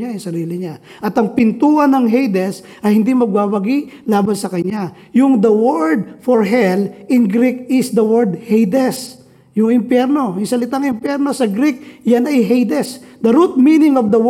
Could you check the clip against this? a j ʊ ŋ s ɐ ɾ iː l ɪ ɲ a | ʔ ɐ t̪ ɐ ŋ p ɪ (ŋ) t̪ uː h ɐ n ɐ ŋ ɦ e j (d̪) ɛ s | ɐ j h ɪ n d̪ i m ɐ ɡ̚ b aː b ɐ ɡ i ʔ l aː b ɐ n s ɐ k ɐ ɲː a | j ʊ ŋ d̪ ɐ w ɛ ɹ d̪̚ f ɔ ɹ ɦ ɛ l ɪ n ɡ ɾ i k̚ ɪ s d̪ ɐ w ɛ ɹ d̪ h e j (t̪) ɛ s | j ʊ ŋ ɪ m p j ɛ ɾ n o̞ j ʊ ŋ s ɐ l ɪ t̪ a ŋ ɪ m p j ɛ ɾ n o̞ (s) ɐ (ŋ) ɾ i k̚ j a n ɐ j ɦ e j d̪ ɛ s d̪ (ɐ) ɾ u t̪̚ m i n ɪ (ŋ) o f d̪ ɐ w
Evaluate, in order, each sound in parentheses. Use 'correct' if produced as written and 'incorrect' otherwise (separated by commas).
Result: incorrect, correct, incorrect, correct, incorrect, correct, correct